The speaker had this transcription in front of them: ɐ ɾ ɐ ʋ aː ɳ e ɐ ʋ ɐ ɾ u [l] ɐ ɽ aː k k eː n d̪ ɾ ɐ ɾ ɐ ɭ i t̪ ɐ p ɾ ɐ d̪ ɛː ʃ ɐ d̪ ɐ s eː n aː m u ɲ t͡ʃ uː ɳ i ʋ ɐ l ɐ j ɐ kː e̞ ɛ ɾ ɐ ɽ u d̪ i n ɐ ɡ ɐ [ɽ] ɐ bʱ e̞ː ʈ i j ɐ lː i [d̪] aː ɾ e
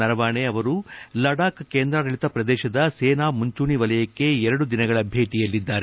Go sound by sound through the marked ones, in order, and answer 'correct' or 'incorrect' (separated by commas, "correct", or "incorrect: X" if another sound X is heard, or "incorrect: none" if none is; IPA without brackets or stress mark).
correct, incorrect: ɭ, incorrect: d̪ː